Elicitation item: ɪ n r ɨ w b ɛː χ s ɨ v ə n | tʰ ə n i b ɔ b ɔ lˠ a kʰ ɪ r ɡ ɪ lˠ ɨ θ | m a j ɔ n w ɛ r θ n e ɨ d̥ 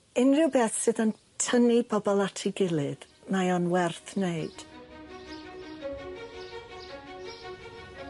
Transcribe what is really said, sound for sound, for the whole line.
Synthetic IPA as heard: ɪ n r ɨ w b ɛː θ s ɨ ð ə n | tʰ ə n i b ɔ b ɔ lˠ a tʰ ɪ ɡ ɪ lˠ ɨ ð | m a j ɔ n w ɛ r θ n e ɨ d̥